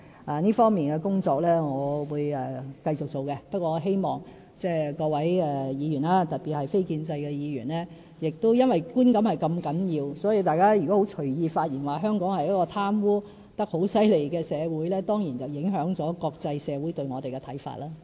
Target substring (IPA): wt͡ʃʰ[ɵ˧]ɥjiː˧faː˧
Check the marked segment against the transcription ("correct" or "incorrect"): incorrect